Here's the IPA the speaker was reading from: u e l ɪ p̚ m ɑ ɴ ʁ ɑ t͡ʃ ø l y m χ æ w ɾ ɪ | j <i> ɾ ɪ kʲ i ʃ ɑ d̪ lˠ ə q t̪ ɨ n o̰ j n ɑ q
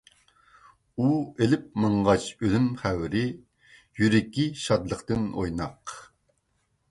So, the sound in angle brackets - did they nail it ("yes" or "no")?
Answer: no